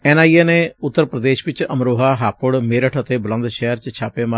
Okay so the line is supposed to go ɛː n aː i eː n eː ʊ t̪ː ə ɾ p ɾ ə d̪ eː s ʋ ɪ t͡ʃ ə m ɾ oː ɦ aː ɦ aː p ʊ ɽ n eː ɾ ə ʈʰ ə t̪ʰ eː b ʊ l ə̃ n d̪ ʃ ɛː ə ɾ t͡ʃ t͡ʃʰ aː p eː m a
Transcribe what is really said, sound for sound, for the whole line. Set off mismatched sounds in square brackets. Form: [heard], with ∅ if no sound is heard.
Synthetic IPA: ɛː n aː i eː n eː ʊ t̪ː ə ɾ p ɾ ə d̪ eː [ʃ] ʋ ɪ t͡ʃ ə m ɾ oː ɦ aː ɦ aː p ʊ ɽ [m] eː ɾ ə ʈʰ ə [t̪] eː b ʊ l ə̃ n d̪ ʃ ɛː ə ɾ t͡ʃ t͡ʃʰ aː p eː m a